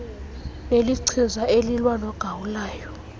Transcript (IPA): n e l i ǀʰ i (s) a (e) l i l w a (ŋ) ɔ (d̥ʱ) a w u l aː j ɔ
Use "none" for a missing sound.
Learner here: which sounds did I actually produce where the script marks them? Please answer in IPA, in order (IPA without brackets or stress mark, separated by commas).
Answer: z, e, n, ɡ̥ʱ